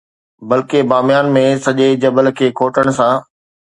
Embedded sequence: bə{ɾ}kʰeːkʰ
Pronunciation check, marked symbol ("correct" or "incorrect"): incorrect